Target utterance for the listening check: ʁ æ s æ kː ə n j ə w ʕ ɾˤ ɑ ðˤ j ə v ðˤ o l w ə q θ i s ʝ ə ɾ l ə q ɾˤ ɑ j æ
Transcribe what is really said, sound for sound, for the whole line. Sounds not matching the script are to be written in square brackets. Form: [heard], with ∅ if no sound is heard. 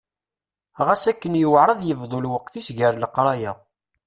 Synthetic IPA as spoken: ʁ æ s æ kː ə n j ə w ʕ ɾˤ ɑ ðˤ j ə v ðˤ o l w ə q θ i s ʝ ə ɾ l ə q ɾˤ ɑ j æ